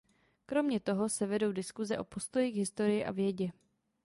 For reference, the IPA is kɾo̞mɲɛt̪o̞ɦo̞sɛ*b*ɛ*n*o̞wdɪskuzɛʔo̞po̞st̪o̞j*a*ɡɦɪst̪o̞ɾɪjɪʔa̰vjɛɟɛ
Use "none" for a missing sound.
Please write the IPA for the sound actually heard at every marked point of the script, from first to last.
v, d, i

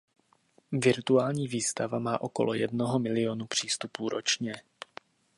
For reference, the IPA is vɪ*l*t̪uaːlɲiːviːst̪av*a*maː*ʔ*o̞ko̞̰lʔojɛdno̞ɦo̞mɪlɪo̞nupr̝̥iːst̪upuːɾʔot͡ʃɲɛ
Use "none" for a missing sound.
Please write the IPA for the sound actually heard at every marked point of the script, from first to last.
ɾ, a, ʔ

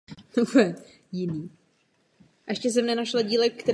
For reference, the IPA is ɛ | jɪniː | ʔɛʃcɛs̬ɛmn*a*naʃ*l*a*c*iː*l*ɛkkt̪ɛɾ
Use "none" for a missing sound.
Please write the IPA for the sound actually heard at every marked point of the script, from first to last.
ɛ, l, ɟ, l

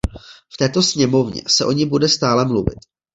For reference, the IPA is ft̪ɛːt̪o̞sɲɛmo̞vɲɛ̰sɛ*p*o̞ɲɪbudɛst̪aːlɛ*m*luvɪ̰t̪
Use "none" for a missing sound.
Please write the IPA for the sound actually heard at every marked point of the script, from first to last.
ʔ, m

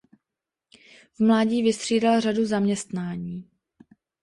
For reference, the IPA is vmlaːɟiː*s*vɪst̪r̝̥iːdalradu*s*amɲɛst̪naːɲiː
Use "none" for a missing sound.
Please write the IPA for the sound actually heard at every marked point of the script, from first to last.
none, z

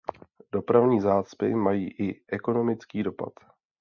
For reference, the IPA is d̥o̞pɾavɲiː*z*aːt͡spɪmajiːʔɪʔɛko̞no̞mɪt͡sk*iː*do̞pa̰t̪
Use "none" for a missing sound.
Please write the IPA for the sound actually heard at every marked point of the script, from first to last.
z, iː

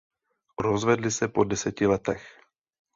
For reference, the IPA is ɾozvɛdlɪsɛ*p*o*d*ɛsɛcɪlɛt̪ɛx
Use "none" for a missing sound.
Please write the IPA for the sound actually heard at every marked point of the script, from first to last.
p, d

